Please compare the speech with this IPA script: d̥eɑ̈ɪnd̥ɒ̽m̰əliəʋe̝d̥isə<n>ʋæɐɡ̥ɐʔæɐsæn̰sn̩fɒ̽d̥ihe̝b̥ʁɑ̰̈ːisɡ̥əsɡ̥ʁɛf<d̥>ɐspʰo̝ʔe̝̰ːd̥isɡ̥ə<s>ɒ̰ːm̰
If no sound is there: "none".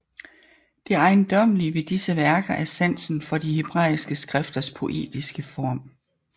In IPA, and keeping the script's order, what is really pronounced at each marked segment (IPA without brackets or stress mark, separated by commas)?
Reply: none, d̥, f